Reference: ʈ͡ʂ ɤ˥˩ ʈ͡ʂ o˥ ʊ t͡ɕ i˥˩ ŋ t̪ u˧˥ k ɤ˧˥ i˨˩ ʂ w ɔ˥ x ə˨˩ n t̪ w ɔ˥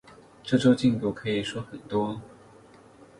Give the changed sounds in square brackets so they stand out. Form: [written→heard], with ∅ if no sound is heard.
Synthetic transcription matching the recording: ʈ͡ʂ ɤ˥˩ ʈ͡ʂ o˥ ʊ t͡ɕ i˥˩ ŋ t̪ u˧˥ [k→kʰ] ɤ˧˥ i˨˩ ʂ w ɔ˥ x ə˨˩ n t̪ w ɔ˥